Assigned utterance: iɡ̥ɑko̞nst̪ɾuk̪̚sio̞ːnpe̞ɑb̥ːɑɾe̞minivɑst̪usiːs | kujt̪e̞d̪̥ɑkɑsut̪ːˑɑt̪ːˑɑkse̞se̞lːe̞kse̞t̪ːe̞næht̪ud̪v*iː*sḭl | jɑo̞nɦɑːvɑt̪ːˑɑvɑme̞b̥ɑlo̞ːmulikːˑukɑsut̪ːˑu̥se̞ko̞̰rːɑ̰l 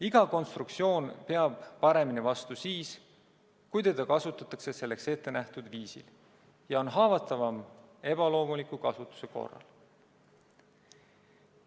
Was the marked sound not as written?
no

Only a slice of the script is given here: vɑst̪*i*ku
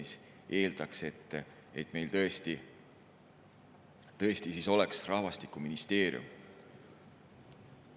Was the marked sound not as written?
no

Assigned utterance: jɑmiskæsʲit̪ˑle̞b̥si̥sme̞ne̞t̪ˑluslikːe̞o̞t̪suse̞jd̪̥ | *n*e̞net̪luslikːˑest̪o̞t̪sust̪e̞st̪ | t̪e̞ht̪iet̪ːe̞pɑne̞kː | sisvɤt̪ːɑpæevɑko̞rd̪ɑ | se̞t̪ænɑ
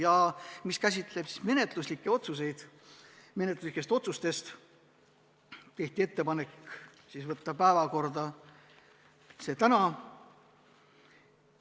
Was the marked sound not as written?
yes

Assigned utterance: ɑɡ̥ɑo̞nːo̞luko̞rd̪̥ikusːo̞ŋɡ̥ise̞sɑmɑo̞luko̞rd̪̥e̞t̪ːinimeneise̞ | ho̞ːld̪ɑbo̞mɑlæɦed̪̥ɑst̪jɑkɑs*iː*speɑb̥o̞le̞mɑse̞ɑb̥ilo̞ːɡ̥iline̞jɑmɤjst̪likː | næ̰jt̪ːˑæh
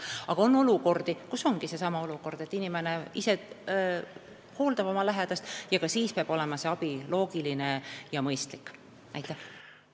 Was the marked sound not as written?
no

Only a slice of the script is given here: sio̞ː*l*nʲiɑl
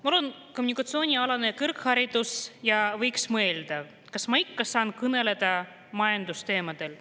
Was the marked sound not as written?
yes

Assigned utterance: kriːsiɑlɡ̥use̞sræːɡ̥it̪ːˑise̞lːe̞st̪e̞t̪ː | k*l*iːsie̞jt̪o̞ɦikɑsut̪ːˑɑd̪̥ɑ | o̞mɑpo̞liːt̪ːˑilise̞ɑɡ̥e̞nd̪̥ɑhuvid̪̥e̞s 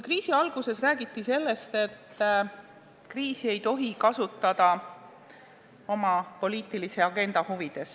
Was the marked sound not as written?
yes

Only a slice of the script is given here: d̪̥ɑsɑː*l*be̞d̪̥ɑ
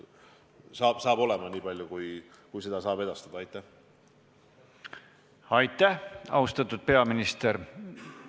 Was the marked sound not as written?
yes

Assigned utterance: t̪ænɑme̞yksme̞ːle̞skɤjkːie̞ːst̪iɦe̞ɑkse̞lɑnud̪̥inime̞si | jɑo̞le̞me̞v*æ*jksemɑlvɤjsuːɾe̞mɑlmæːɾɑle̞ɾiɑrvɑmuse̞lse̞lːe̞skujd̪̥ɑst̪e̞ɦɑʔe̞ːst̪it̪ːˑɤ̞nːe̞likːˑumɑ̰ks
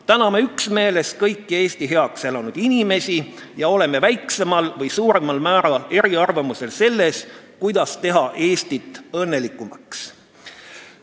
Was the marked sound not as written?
no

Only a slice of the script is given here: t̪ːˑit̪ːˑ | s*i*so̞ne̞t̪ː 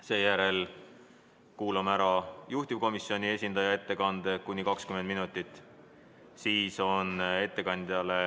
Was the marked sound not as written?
yes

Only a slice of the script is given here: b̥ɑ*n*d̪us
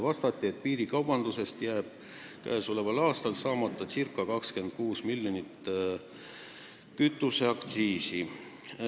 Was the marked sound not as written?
no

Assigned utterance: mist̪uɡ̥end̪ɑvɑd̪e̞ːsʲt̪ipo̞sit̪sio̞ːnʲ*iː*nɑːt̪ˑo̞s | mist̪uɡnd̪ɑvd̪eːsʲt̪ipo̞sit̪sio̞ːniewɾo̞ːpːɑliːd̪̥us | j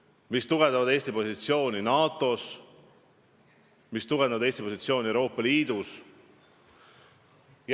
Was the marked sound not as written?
yes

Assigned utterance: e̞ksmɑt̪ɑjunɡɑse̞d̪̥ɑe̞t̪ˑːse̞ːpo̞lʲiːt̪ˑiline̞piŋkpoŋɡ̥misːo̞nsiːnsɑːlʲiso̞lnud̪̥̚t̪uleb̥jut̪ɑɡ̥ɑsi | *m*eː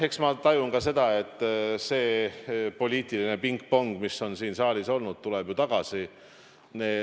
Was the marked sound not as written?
yes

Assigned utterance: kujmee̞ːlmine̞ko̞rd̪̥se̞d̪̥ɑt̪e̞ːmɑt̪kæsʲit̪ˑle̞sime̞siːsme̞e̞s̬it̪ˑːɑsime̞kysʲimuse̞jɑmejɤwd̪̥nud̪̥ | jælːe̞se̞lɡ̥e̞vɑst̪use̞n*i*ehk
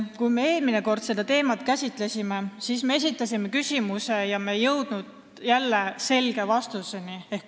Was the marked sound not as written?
no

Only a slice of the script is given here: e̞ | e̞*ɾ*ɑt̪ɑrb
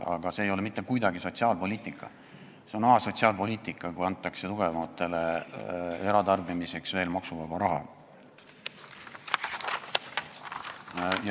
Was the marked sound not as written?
no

